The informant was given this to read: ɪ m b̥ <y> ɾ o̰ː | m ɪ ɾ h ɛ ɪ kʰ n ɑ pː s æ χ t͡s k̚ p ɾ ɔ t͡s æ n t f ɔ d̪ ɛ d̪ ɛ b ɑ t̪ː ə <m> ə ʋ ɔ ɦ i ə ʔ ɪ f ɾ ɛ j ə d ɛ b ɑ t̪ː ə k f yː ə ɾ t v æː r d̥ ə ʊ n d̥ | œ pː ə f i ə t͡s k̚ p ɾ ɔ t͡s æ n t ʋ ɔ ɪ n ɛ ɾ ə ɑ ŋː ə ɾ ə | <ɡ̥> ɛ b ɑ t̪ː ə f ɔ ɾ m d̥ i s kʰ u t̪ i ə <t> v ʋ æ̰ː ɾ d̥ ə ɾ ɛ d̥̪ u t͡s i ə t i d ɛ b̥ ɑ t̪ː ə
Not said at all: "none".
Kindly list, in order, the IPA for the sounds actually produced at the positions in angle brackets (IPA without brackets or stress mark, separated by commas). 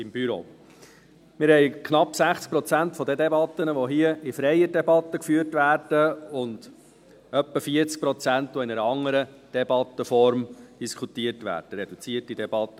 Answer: y, n, d̥, t